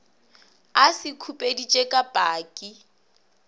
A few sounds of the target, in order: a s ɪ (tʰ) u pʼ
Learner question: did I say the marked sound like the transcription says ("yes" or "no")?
no